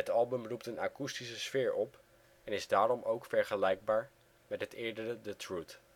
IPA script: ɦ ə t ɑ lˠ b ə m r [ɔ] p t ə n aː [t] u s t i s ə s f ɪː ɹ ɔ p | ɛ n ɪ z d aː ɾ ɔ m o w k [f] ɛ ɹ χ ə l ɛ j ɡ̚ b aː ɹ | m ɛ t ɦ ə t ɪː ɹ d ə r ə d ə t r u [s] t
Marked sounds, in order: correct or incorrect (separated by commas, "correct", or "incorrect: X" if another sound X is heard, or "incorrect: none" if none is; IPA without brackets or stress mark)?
incorrect: u, incorrect: k, correct, incorrect: none